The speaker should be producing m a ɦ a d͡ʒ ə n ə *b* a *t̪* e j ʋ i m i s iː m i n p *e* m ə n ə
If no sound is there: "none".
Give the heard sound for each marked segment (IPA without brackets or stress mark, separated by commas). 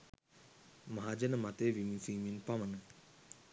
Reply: m, t̪, a